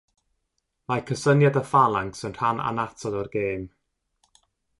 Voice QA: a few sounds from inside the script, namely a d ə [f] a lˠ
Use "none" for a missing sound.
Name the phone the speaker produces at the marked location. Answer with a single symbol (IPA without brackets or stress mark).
f